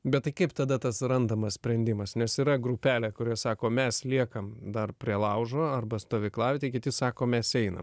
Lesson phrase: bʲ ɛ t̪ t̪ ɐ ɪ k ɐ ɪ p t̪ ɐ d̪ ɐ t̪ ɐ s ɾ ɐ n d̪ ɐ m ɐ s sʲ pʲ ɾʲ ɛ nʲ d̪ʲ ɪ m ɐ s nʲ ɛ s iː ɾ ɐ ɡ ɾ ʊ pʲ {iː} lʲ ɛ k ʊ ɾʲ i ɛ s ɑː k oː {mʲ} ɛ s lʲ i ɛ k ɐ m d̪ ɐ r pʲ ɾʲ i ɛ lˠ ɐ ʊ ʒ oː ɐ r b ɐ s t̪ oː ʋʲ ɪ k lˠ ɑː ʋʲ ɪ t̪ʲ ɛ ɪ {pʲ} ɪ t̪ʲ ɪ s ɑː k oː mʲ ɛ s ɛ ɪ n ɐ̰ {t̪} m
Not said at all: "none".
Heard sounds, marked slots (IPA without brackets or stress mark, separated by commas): æː, mʲ, kʲ, none